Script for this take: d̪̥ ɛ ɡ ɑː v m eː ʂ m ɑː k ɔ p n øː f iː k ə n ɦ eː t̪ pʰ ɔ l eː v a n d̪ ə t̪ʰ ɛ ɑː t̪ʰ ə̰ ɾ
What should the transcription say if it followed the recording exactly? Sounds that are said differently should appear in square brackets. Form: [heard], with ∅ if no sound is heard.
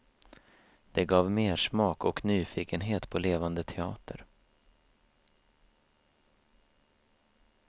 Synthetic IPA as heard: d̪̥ ɛ ɡ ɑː v m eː ʂ m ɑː k ɔ [k] n [yː] f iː k ə n ɦ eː t̪ pʰ ɔ l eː v a n d̪ ə t̪ʰ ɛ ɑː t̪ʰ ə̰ ɾ